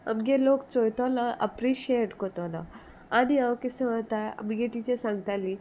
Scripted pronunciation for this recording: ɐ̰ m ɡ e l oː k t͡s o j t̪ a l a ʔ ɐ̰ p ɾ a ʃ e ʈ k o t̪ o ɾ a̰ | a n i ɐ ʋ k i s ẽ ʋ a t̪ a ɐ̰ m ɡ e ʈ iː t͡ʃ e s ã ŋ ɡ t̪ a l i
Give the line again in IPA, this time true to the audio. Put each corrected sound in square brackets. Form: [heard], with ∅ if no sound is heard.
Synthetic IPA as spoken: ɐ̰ m ɡ e l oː k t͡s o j t̪ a l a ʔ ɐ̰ p ɾ [i] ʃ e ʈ k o t̪ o [l] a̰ | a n i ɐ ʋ k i s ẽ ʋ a t̪ a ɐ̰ m ɡ e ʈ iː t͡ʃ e s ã ŋ ɡ t̪ a l i